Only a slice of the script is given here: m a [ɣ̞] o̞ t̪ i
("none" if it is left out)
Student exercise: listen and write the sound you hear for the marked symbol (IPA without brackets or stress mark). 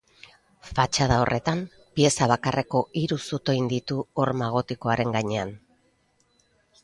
ɣ̞